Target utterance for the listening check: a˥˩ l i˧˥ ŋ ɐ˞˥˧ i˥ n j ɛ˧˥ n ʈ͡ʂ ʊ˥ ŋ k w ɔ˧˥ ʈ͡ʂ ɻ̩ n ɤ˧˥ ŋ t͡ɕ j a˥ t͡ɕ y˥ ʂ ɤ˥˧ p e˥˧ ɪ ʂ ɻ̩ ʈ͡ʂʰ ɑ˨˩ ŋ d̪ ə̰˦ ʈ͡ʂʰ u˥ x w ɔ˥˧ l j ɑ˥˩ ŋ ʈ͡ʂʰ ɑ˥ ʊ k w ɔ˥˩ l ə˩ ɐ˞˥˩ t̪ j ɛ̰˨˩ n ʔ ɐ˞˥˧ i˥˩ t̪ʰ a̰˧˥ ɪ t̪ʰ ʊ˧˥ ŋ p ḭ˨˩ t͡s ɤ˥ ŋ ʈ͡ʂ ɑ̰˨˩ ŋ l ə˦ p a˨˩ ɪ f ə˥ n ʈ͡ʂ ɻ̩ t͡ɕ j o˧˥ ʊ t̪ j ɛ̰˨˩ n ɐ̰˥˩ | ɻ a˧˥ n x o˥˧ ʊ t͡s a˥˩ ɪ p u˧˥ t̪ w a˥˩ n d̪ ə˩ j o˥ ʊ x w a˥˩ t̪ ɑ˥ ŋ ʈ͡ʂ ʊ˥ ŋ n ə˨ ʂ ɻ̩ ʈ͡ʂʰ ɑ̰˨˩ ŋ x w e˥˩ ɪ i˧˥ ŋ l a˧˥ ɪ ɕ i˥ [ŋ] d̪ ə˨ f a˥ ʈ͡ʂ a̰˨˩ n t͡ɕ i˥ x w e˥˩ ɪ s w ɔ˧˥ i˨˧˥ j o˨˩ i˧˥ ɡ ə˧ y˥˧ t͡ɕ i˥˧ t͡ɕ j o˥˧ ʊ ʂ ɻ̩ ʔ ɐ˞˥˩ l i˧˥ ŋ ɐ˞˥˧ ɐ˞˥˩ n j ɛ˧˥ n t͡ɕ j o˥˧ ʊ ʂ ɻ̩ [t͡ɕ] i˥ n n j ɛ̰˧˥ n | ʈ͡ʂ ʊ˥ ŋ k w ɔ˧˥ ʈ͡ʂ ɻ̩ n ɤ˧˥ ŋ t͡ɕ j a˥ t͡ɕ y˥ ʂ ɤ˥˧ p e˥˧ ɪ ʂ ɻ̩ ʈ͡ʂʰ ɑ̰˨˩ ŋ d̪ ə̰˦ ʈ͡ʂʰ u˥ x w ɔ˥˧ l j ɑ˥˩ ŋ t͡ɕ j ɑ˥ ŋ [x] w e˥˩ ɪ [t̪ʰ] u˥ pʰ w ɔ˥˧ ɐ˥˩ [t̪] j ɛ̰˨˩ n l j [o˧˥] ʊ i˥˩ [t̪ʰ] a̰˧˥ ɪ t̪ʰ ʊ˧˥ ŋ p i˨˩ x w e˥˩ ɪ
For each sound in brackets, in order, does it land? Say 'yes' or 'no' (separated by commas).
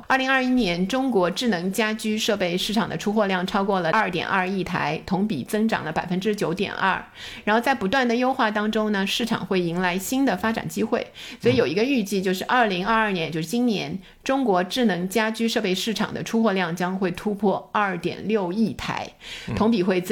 no, yes, yes, yes, yes, no, yes